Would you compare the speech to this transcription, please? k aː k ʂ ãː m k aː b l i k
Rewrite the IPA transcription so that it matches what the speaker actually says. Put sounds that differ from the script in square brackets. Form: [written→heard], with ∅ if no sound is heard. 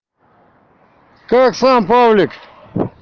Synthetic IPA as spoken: k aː k [ʂ→s] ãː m [k→p] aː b l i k